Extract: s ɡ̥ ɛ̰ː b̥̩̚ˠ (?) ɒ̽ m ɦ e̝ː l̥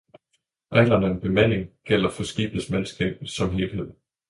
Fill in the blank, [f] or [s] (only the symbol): s